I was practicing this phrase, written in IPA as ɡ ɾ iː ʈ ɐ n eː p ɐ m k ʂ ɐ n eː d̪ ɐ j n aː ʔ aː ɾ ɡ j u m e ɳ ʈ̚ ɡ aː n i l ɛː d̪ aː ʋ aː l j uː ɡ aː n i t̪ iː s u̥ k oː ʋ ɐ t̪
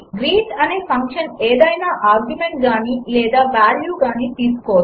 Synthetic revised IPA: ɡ ɾ iː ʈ ɐ n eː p ɐ ŋ k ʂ ɐ n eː d̪ ɐ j n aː ʔ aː ɾ ɡ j u m e ɳ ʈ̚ ɡ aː n i l ɛː d̪ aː ʋ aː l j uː ɡ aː n i t̪ iː s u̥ k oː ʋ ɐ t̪

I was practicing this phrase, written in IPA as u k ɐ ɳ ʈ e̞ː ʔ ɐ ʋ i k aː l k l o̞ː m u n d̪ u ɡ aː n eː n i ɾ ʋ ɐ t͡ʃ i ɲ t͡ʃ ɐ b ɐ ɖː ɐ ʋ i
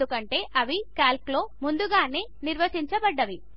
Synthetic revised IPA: u k ɐ ɳ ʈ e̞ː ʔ ɐ ʋ i k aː l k l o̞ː m u n d̪ u ɡ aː n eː n i ɾ ʋ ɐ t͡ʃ i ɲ t͡ʃ ɐ b ɐ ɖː ɐ ʋ i

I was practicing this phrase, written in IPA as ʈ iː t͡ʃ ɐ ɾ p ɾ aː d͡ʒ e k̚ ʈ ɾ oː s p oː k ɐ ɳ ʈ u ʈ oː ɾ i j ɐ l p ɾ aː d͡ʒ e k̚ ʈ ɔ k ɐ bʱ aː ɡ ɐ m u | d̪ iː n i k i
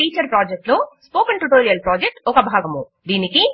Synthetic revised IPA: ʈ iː t͡ʃ ɐ ɾ p ɾ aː d͡ʒ e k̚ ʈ l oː s p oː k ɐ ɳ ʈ u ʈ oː ɾ i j ɐ l p ɾ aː d͡ʒ e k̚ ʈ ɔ k ɐ bʱ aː ɡ ɐ m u | d̪ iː n i k i

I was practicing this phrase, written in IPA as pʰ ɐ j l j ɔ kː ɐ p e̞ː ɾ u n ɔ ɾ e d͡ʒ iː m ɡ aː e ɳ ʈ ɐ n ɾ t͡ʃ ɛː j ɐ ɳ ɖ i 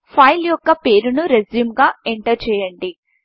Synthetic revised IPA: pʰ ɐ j l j ɔ kː ɐ p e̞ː ɾ u n u ɾ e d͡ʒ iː m ɡ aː e ɳ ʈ ɐ ɾ t͡ʃ ɛː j ɐ ɳ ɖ i

